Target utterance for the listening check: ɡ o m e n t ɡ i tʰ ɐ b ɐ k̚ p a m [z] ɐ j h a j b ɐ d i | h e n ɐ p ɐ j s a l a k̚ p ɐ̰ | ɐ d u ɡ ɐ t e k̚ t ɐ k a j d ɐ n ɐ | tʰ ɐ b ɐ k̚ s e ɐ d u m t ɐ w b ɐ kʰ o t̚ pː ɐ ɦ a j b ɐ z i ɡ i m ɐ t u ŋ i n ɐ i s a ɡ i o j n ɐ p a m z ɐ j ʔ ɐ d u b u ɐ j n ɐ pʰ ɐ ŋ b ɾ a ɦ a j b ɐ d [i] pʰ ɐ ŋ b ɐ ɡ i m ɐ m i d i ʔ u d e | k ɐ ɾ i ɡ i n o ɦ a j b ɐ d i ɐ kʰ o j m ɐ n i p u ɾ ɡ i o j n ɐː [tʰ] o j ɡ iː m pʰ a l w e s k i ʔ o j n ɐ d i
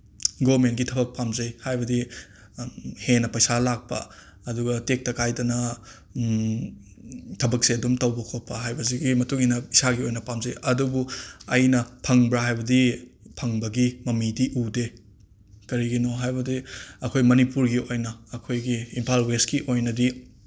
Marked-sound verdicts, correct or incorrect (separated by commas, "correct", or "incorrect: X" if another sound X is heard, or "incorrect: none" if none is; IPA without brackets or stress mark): correct, correct, incorrect: kʰ